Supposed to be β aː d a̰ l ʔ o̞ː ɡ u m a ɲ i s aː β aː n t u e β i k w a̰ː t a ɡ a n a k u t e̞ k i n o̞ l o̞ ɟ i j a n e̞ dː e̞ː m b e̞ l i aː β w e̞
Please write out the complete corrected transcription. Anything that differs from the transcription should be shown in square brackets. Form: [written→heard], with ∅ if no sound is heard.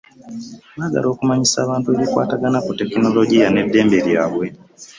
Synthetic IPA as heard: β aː [d→ɡ] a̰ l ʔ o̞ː [ɡ→k] u m a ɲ i s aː β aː n t u e β i k w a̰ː t a ɡ a n a k u t e̞ k i n o̞ l o̞ ɟ i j a n e̞ dː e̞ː m b e̞ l [i→j] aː β w e̞